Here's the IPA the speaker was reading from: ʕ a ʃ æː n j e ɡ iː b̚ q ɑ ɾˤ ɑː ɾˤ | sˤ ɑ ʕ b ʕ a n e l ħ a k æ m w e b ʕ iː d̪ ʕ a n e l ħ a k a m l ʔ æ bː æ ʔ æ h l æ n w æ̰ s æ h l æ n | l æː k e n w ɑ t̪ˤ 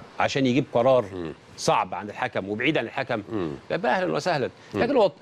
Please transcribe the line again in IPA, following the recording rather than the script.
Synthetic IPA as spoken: ʕ a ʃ æː n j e ɡ iː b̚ q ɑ ɾˤ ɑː ɾˤ | sˤ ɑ ʕ b ʕ a n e l ħ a k æ m w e b ʕ iː d̪ ʕ a n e l ħ a k æ m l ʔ æ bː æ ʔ æ h l æ n w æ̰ s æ h l æ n | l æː k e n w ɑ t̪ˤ